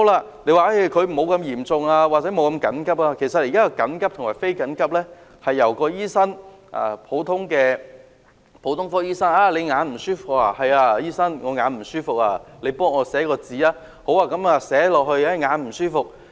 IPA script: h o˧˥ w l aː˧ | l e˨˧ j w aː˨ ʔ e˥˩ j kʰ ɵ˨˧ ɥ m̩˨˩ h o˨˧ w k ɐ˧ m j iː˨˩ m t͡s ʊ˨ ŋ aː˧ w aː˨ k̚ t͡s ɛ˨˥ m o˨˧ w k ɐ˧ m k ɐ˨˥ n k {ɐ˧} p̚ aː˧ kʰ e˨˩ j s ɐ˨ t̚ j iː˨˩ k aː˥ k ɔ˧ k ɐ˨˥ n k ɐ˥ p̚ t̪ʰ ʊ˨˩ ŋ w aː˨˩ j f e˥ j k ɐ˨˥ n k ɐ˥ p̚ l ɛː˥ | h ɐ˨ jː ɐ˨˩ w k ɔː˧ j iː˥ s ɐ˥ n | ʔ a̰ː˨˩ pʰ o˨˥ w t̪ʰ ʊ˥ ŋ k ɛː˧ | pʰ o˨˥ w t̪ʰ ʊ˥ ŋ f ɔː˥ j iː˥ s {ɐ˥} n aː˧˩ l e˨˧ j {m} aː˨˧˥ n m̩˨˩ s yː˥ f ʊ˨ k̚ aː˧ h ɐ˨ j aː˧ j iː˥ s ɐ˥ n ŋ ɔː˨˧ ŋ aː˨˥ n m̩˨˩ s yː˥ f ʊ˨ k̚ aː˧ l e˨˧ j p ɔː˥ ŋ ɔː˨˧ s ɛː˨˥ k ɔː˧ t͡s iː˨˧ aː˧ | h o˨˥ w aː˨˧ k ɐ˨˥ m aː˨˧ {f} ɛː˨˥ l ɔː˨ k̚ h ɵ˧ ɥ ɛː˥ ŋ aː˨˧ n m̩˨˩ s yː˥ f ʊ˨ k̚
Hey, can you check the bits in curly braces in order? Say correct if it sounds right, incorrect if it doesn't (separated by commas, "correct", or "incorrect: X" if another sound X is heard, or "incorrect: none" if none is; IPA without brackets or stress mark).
incorrect: ɐ˥, correct, incorrect: ŋ, incorrect: s